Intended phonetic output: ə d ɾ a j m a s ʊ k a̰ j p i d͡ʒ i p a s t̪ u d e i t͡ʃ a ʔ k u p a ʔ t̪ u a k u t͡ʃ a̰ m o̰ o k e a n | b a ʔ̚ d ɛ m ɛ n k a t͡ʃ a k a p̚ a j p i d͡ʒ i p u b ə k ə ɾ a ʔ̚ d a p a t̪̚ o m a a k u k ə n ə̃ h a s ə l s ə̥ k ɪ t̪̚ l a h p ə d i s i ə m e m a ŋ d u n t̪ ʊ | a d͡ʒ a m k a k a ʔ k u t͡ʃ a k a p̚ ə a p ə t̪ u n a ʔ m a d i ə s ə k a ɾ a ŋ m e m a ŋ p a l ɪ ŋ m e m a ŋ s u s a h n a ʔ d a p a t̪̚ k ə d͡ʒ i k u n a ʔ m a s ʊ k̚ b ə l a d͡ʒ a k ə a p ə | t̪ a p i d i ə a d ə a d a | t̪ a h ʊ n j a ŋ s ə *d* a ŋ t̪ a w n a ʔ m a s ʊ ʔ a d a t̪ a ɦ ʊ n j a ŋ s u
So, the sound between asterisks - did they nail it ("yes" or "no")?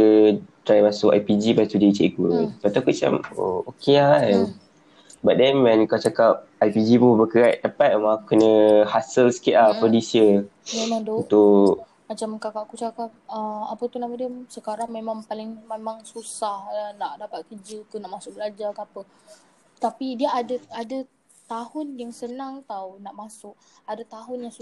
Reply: no